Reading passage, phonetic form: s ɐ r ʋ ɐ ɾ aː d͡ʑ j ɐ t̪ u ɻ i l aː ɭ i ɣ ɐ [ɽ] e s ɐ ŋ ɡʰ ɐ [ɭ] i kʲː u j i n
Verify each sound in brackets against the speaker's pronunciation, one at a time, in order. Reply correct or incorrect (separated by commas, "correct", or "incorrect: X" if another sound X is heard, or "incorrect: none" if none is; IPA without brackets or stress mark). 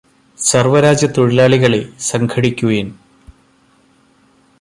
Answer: incorrect: ɭ, incorrect: ɽ